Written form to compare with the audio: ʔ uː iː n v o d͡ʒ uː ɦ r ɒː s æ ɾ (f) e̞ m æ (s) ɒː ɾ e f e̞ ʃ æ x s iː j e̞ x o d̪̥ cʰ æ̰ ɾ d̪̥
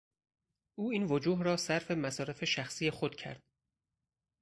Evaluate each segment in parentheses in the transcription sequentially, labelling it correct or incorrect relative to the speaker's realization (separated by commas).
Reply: correct, correct